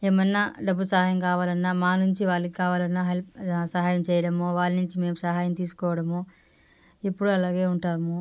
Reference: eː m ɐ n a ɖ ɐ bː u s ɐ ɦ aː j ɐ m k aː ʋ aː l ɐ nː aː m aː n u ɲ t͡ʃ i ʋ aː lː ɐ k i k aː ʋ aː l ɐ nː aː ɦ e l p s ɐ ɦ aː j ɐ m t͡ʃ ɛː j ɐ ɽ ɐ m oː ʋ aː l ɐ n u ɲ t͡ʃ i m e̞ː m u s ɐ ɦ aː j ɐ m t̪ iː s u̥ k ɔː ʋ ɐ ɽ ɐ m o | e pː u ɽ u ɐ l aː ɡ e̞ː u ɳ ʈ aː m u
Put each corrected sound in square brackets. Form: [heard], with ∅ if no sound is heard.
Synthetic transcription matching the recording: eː m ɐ n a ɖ ɐ bː u s ɐ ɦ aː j ɐ m k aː ʋ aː l ɐ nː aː m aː n u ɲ t͡ʃ i ʋ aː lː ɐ k i k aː ʋ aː l ɐ nː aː ɦ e l p s ɐ ɦ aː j ɐ m t͡ʃ ɛː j ɐ ɽ ɐ m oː ʋ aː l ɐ n u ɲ t͡ʃ i m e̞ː m u s ɐ ɦ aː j ɐ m t̪ iː s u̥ k ɔː ʋ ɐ ɽ ɐ m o | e pː u ɽ u ɐ l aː ɡ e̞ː u ɳ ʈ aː m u